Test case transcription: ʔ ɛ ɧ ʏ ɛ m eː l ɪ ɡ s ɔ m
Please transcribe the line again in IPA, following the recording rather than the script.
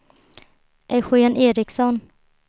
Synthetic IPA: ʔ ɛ ɧ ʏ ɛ n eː ɾ ɪ k s ɔ n